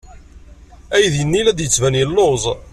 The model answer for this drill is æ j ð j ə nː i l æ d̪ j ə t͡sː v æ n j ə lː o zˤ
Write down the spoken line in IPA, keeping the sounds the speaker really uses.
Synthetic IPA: æ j ð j ə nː i l æ d̪ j ə t͡sː v æ n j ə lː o zˤ